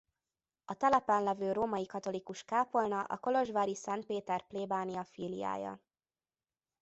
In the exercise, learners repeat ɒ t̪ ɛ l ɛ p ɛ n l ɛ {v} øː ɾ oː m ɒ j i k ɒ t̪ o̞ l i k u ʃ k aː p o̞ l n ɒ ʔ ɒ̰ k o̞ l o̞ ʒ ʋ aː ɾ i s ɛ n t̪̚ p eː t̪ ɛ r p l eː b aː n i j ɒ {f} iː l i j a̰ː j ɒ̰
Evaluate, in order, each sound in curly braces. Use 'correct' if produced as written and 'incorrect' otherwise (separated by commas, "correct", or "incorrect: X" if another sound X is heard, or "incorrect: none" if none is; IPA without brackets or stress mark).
correct, correct